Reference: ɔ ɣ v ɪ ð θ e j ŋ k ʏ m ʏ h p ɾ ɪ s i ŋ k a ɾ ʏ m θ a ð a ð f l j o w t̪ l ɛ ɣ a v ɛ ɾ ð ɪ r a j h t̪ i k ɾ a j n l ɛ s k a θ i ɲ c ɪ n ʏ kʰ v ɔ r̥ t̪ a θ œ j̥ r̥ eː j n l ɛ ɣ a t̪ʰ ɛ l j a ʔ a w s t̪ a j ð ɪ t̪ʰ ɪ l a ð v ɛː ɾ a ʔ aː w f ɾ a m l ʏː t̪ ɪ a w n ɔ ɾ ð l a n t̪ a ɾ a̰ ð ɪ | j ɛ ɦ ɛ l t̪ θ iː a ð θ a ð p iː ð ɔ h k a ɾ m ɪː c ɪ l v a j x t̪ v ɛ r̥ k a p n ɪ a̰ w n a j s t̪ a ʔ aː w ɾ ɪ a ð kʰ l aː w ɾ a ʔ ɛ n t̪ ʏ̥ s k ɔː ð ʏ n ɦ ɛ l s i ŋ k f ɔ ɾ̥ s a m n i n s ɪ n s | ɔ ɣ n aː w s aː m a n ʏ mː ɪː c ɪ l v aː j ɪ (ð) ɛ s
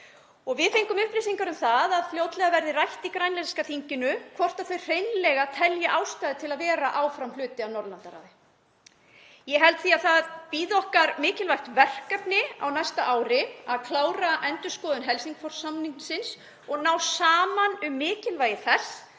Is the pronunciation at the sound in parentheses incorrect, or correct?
incorrect